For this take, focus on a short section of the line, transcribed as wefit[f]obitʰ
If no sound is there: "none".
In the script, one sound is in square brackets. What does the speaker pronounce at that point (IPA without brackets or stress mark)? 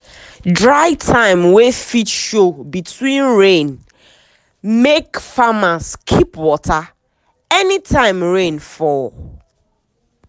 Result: ʃ